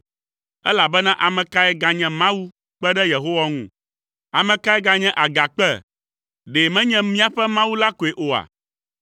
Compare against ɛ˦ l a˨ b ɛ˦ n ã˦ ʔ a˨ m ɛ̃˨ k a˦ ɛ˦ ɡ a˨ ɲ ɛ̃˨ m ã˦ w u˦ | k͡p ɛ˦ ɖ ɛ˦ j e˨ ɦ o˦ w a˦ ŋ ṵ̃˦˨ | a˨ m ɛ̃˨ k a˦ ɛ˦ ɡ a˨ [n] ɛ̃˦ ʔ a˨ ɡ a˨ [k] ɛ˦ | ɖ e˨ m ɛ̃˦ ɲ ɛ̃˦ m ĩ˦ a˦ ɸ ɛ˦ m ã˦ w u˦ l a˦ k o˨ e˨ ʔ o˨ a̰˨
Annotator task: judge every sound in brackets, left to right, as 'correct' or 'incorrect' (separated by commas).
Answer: incorrect, incorrect